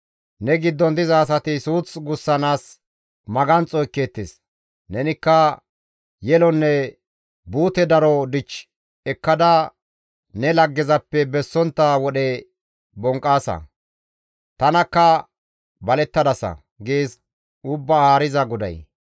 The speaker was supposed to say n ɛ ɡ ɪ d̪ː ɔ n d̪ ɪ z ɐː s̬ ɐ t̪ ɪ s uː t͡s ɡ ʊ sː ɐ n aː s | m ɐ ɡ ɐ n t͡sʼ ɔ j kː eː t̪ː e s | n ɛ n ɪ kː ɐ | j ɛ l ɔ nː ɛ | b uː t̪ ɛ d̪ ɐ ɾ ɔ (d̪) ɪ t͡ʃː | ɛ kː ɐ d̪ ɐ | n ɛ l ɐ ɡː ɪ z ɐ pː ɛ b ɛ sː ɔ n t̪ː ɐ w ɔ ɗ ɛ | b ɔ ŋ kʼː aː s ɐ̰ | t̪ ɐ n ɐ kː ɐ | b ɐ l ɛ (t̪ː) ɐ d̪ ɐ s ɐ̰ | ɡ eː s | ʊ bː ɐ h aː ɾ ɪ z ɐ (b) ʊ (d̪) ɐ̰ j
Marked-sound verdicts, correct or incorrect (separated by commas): correct, correct, incorrect, correct